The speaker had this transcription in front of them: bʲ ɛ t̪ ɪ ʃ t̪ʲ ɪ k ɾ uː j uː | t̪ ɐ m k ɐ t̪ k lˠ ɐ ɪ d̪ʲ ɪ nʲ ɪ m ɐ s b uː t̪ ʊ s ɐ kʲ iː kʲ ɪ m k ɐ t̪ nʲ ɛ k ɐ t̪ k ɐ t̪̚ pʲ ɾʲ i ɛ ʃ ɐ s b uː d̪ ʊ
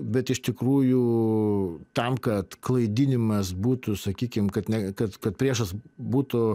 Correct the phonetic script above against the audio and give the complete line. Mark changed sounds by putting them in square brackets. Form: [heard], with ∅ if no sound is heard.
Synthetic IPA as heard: bʲ ɛ t̪ ɪ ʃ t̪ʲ ɪ k ɾ uː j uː | t̪ ɐ m k ɐ t̪ k lˠ ɐ ɪ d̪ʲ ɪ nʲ ɪ m ɐ s b uː t̪ ʊ s ɐ kʲ iː kʲ ɪ m k ɐ t̪ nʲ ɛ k ɐ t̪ k ɐ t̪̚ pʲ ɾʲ i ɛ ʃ ɐ s b uː [t̪] ʊ